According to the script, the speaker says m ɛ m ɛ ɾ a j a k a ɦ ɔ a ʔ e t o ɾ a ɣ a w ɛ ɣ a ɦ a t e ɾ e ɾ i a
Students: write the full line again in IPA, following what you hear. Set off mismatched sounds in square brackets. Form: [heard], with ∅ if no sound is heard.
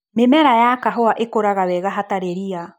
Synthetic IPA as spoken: m [e] m ɛ ɾ a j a k a ɦ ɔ a ʔ e [k] o ɾ a ɣ a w ɛ ɣ a ɦ a t [a] ɾ e ɾ i a